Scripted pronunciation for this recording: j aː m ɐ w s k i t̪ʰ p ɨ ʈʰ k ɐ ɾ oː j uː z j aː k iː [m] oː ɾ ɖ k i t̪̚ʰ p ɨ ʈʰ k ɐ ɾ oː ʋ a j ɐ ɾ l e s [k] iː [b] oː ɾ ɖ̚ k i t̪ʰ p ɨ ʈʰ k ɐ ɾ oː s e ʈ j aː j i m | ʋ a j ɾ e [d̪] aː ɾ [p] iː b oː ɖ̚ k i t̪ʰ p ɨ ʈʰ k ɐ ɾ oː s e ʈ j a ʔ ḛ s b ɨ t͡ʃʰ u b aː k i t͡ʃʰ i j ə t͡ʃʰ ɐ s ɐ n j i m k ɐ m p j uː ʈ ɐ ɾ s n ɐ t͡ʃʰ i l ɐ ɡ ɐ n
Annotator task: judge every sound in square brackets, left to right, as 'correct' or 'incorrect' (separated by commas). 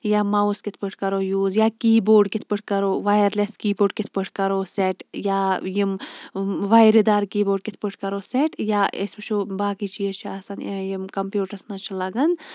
incorrect, correct, correct, correct, incorrect